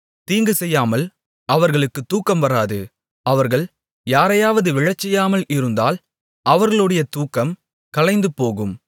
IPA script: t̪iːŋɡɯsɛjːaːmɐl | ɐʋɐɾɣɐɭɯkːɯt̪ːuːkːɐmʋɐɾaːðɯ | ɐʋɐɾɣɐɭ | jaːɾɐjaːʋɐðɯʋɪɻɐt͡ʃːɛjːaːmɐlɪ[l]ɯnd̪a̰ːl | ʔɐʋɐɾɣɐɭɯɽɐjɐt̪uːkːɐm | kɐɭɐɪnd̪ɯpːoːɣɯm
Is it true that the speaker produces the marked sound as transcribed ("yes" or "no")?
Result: no